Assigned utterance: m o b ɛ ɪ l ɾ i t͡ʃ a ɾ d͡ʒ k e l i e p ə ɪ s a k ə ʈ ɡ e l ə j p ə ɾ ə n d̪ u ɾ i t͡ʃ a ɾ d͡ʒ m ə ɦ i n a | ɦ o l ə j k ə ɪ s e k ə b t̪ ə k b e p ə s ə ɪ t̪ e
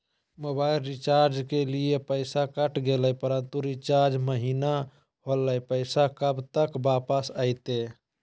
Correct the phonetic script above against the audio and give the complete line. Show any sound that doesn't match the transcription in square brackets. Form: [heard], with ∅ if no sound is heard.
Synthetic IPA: m o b [a] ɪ l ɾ i t͡ʃ a ɾ d͡ʒ k e l i e p ə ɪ s a k ə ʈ ɡ e l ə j p ə ɾ ə n [t̪] u ɾ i t͡ʃ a ɾ d͡ʒ m ə ɦ i n a | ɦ o l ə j [p] ə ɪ s [a] k ə b t̪ ə k b [a] p ə s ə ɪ t̪ e